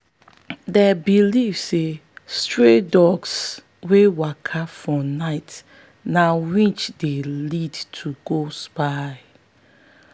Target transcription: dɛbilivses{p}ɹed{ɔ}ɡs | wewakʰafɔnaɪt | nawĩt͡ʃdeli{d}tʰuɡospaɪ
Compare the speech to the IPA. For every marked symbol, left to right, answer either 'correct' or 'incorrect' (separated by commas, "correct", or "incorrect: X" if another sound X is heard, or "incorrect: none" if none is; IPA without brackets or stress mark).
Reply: incorrect: t, correct, correct